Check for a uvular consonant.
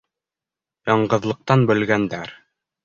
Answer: present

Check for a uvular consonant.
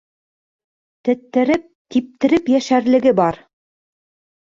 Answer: absent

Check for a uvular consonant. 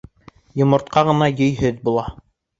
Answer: present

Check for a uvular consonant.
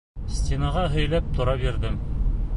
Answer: present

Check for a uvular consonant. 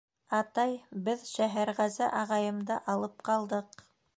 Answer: present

